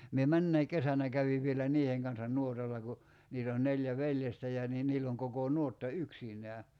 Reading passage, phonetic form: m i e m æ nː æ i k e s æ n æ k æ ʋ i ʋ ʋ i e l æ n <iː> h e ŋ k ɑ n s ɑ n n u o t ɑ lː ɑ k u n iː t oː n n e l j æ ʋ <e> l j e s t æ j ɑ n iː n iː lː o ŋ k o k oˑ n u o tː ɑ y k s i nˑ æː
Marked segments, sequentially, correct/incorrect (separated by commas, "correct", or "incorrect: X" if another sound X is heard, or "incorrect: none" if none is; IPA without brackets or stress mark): correct, correct